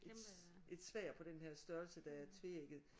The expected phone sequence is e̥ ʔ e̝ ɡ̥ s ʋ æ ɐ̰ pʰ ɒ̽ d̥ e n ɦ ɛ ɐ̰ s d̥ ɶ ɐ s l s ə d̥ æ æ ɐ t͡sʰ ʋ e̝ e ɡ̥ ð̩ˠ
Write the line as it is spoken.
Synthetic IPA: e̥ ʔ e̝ d̥ s ʋ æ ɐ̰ pʰ ɒ̽ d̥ e n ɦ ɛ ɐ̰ s d̥ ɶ ɐ l s ə d̥ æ æ ɐ t͡sʰ ʋ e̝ e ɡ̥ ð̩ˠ